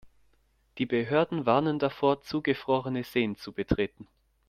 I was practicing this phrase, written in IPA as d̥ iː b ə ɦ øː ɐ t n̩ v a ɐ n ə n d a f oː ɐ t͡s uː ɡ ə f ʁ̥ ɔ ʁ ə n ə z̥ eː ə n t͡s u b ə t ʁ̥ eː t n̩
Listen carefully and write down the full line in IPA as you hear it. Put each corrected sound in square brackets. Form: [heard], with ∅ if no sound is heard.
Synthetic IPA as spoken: d̥ iː b ə ɦ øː ɐ [d] n̩ v a ɐ n ə n d a f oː ɐ t͡s uː ɡ ə f ʁ̥ ɔ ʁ ə n ə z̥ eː ə n t͡s u b ə t ʁ̥ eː t n̩